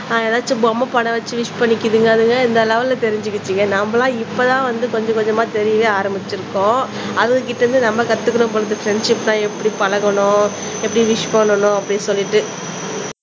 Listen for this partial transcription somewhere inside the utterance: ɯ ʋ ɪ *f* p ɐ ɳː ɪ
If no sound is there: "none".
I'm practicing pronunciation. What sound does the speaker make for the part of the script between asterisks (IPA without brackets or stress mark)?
ʂ